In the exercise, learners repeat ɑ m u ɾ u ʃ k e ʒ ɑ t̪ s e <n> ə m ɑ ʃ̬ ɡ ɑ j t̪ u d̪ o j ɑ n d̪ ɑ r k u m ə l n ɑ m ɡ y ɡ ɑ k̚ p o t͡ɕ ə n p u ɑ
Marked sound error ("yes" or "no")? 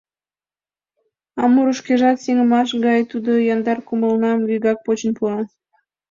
yes